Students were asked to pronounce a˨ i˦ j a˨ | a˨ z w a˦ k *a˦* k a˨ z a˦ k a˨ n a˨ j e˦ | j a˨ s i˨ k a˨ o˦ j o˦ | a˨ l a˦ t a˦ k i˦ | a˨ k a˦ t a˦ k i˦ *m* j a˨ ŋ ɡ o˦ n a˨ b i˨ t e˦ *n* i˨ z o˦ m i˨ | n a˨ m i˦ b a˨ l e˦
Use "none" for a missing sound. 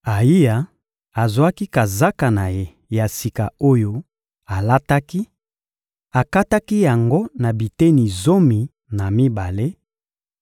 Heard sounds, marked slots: i˦, none, n

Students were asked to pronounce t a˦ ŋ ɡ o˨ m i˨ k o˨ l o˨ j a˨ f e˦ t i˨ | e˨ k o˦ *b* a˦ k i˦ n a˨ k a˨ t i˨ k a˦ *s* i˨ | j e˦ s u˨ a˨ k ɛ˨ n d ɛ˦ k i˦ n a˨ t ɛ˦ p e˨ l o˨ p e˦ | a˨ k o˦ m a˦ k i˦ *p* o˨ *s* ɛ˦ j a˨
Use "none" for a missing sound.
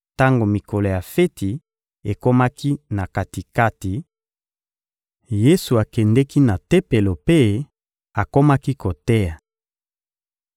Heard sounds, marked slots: m, t, k, t

